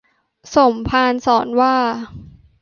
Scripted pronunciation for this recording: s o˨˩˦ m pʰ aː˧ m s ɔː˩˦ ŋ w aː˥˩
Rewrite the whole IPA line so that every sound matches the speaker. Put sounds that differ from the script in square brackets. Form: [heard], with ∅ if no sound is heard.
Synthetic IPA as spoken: s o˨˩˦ m pʰ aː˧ [n] s ɔː˩˦ [n] w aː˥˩